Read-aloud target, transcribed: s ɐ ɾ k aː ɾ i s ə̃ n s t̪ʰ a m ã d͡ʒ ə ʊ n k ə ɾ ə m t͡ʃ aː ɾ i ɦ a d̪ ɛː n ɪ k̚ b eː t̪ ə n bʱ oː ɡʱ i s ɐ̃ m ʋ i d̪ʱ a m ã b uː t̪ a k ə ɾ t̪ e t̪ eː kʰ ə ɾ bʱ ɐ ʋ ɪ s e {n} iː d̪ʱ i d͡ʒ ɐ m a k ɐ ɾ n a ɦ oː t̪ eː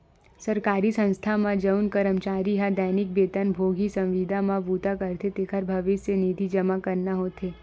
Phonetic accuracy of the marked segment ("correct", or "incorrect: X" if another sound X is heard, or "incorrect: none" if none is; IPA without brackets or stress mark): correct